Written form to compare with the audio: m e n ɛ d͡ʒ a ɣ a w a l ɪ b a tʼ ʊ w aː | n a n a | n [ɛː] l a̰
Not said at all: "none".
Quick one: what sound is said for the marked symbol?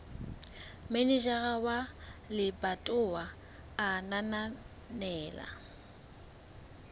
ɛː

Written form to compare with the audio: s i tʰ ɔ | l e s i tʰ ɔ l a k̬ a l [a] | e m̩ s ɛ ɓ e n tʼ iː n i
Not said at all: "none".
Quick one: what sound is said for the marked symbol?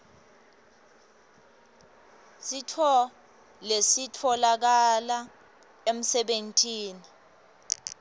a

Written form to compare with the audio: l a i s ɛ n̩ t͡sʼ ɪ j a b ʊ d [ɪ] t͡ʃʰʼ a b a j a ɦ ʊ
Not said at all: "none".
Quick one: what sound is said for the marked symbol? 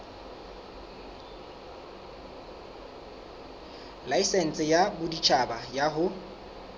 i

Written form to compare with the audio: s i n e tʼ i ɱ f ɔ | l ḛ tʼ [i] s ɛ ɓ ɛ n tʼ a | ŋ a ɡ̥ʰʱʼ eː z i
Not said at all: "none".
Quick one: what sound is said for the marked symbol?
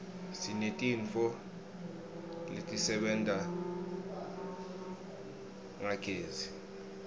i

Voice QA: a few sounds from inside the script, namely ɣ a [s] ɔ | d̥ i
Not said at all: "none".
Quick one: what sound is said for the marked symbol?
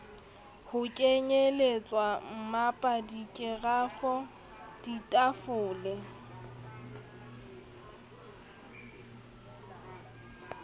f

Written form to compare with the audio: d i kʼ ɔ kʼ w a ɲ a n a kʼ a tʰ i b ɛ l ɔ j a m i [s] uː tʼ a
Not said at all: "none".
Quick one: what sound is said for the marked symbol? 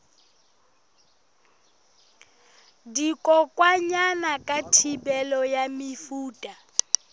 f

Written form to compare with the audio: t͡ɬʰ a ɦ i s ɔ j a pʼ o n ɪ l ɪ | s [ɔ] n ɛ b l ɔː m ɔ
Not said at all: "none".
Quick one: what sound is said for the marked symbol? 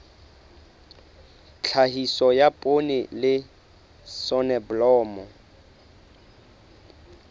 ɔ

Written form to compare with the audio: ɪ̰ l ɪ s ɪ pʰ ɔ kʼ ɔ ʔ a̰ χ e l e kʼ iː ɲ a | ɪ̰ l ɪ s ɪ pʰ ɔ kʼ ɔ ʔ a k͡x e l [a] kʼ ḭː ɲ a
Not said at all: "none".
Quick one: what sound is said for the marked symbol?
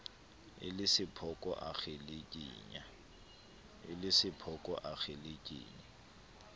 e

